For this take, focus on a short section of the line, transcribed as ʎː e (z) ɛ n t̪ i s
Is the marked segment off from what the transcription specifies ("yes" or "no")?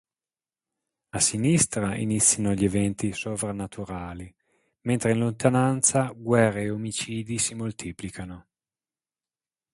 yes